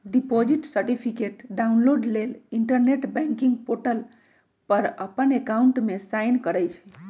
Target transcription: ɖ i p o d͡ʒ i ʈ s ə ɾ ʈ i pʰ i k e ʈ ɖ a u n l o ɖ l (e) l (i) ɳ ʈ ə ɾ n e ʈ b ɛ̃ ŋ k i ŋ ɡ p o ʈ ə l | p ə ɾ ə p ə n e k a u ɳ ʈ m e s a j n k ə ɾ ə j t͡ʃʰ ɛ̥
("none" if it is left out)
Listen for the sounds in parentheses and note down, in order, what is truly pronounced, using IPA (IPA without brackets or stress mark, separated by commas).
e, i